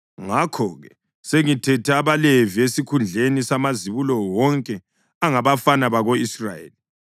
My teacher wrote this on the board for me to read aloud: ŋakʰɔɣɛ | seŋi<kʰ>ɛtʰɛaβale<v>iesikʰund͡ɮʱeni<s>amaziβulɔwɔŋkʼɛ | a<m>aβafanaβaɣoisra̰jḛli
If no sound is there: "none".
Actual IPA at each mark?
tʰ, v, s, ŋ

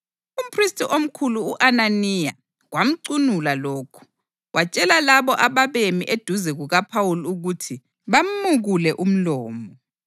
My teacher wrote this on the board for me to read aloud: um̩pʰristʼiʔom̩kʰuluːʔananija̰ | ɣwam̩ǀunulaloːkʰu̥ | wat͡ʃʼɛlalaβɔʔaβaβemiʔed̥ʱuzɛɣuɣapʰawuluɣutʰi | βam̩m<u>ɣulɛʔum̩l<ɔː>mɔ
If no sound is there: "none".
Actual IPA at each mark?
u, ɔː

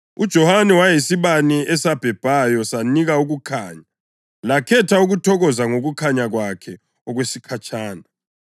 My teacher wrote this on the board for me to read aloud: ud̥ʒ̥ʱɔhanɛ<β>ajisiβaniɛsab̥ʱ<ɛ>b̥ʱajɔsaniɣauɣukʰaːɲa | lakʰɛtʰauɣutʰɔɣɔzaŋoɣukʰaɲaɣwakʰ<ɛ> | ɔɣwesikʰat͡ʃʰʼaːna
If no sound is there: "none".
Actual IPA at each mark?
w, ɛ, ɛ

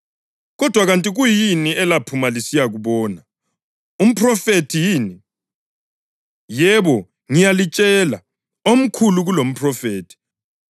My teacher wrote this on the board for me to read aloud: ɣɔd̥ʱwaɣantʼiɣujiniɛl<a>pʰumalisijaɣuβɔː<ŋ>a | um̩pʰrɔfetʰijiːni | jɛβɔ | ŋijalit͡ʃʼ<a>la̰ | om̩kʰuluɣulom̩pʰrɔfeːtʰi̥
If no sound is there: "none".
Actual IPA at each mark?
a, n, ɛ

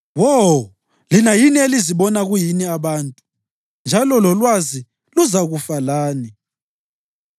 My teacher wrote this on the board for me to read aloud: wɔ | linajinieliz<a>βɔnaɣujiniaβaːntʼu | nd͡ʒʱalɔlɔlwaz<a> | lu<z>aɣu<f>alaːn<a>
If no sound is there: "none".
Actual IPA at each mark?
i, i, z, f, i

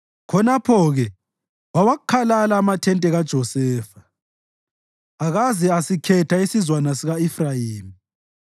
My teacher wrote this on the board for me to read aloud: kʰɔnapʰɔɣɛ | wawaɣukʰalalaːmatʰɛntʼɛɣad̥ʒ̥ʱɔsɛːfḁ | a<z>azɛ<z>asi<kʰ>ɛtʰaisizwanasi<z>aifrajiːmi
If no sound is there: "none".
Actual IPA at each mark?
ɣ, none, kʰ, ɣ

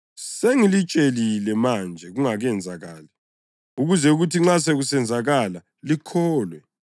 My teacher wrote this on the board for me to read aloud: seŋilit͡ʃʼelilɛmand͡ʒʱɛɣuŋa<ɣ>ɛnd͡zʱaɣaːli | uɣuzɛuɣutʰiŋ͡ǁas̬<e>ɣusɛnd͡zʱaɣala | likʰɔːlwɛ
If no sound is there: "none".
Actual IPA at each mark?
ɣ, e

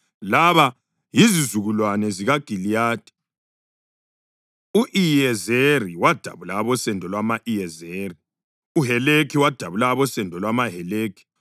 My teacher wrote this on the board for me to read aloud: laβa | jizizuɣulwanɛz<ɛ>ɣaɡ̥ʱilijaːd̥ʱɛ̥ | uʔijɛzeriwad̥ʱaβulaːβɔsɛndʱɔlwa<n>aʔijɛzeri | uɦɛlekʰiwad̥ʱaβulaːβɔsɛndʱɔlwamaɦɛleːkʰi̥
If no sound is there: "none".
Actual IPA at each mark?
i, m

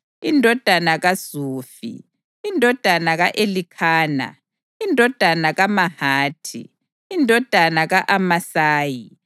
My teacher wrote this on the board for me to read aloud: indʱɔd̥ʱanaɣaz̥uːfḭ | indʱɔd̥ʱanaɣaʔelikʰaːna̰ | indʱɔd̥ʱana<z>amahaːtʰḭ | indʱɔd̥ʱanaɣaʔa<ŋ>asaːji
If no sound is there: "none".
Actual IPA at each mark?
ɣ, m

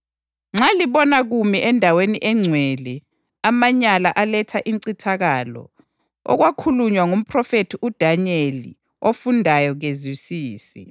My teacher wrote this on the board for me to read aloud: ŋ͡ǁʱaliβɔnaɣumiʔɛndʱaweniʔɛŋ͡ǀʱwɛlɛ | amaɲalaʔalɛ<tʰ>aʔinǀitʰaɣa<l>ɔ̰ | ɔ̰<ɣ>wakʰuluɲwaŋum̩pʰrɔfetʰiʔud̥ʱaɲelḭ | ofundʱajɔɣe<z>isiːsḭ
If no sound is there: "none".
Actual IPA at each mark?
tʰ, l, ɣ, z

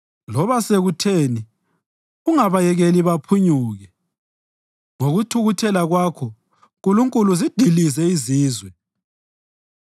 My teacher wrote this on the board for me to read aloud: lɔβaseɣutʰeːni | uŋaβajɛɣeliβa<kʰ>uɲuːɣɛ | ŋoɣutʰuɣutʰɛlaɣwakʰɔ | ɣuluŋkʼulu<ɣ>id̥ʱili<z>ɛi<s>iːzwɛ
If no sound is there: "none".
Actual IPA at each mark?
pʰ, z, z, z

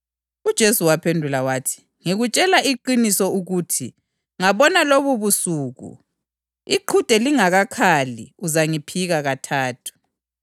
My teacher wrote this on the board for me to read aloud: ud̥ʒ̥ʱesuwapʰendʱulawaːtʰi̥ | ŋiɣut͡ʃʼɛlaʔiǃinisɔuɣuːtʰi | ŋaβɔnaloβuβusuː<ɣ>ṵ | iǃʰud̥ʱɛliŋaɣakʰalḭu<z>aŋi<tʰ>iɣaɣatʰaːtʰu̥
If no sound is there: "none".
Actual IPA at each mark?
ɣ, z, pʰ

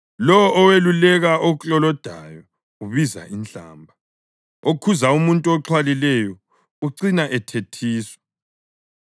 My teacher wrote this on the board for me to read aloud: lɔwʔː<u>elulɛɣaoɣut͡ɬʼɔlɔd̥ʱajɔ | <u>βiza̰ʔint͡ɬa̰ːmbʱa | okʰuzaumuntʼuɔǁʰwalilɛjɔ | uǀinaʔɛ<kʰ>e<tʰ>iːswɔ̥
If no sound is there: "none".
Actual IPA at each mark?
w, u, tʰ, tʰ

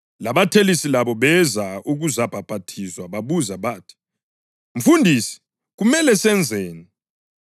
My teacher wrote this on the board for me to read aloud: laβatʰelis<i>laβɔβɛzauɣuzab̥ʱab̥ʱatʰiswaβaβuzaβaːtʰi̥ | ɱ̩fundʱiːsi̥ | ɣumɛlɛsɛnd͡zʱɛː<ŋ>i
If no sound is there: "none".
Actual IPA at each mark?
i, n

